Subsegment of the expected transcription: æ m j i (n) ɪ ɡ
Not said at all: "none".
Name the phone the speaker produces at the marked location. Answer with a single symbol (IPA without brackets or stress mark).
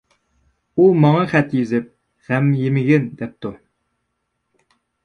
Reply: m